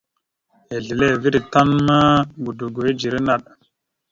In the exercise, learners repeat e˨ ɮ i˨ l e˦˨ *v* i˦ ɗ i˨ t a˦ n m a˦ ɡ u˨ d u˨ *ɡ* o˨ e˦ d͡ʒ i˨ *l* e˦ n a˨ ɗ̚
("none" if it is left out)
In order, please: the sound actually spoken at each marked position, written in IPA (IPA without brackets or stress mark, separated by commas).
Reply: v, ɡ, ɾ